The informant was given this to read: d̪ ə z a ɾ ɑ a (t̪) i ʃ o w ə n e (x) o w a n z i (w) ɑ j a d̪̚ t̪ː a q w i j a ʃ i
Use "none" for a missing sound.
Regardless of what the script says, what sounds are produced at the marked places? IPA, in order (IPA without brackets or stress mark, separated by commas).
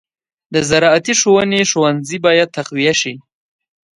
t̪, ʃ, b